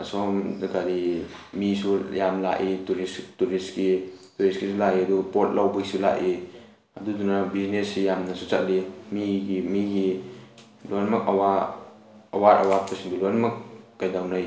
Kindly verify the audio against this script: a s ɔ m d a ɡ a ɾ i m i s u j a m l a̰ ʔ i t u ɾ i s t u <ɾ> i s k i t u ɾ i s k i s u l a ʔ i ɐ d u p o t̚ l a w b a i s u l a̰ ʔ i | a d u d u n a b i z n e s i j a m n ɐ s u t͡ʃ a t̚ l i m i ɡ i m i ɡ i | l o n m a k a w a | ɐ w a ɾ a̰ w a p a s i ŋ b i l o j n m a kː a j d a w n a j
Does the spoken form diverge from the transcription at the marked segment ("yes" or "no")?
no